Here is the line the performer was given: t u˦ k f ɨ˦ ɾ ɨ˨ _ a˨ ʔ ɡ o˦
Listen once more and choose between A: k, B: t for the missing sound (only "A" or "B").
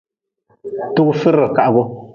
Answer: A